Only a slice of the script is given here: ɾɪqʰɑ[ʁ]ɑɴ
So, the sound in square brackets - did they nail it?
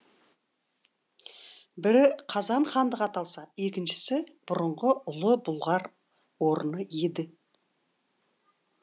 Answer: no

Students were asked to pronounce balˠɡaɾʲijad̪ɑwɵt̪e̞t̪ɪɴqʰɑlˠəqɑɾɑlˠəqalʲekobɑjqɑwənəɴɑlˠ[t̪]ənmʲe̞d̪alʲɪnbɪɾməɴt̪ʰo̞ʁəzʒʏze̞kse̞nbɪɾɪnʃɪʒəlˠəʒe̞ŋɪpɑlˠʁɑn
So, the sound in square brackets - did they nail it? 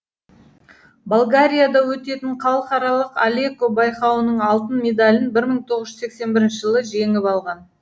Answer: yes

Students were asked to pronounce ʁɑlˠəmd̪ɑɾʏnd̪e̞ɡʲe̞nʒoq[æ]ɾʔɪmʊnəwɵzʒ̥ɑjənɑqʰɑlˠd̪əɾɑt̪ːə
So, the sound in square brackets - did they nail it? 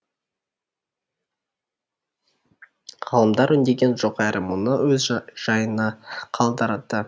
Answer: yes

